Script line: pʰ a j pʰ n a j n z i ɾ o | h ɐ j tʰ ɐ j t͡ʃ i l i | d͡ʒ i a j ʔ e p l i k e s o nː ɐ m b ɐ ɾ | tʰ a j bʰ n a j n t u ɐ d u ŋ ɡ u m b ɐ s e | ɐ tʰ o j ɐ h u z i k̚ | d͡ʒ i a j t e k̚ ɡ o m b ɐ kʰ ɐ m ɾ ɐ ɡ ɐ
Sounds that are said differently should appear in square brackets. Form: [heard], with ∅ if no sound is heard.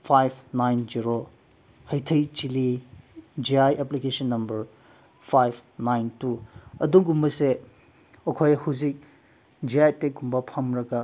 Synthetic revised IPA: pʰ a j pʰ n a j n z i ɾ o | h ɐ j tʰ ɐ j t͡ʃ i l i | d͡ʒ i a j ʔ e p l i k e s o nː ɐ m b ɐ ɾ | [pʰ] a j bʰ n a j n t u ɐ d u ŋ ɡ u m b ɐ s e | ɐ [kʰ] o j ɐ h u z i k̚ | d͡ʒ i a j t e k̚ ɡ [u] m b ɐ [pʰ] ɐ m ɾ ɐ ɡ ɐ